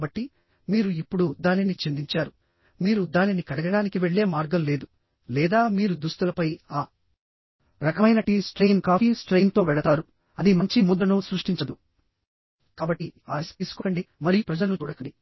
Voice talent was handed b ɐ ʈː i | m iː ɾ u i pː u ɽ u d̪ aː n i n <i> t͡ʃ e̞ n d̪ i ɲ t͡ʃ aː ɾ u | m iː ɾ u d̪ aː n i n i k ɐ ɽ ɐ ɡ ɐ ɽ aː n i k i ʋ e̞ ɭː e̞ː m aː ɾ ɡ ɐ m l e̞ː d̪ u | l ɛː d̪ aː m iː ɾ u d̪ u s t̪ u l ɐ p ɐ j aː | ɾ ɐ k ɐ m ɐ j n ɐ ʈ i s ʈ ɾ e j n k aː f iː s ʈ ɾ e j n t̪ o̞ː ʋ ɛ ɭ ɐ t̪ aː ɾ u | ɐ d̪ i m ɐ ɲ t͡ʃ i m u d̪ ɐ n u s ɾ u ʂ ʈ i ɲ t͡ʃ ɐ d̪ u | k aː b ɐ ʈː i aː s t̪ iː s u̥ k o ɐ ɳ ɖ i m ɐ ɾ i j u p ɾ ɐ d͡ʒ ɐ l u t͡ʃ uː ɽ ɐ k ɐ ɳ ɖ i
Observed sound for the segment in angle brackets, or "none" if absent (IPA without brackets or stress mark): i